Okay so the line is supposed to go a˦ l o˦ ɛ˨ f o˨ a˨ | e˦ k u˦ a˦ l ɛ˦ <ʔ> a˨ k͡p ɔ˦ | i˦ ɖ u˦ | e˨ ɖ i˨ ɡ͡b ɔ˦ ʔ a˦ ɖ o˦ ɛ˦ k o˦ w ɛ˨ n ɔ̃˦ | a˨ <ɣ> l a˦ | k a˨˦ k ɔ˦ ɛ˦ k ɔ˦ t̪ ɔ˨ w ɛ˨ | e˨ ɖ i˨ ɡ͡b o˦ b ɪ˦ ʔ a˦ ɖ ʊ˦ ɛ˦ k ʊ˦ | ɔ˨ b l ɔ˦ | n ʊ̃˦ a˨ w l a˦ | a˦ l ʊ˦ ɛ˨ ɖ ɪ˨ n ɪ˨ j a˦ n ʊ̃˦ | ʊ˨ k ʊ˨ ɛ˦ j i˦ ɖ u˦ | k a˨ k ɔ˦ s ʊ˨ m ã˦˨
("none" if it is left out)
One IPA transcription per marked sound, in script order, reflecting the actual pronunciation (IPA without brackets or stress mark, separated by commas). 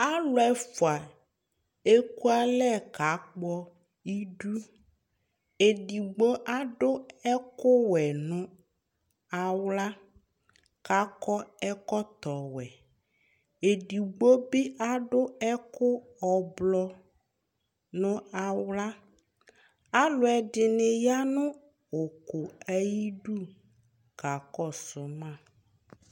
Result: k, w